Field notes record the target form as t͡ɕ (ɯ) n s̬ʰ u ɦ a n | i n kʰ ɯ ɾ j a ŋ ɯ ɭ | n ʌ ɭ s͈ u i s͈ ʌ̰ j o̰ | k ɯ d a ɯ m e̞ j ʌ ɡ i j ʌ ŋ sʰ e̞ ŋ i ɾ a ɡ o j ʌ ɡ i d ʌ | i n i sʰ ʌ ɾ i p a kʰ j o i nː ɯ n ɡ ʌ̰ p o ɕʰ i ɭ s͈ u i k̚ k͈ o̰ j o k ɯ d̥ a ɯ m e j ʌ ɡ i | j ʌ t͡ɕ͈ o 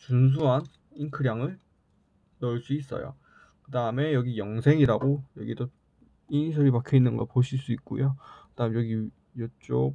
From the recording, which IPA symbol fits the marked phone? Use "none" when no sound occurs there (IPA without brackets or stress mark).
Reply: u